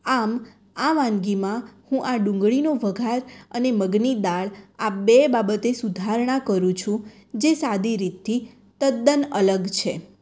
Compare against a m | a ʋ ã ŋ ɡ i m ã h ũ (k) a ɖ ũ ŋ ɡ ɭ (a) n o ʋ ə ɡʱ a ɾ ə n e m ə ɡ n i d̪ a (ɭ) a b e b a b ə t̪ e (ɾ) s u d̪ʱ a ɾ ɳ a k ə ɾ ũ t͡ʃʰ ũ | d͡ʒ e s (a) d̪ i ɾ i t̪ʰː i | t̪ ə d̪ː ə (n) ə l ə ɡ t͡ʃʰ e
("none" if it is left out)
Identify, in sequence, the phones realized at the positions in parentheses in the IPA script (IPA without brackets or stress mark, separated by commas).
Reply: ʔ, i, ɭ, none, a, n